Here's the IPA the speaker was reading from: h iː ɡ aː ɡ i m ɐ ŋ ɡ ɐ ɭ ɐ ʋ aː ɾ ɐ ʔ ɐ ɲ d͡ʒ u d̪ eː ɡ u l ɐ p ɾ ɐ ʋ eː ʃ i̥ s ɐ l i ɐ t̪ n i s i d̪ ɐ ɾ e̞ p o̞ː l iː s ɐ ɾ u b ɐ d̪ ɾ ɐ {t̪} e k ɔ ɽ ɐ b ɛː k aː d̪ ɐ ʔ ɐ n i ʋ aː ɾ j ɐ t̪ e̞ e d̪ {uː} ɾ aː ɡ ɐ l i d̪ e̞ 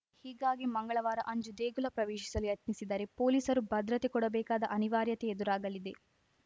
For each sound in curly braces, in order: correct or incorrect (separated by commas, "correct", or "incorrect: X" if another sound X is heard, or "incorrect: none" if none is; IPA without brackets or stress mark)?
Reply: correct, incorrect: u